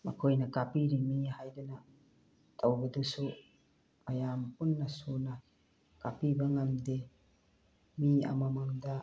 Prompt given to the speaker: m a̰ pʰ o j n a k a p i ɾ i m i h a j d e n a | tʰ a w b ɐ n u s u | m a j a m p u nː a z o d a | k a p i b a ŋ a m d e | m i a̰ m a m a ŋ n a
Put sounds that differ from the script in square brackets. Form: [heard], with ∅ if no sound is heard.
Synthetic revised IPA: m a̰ [kʰ] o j n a k a p i ɾ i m i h a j d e n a | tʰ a w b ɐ [d] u s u | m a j a m p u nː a [s] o [n] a | k a p i b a ŋ a m d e | m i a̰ m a m a ŋ [d] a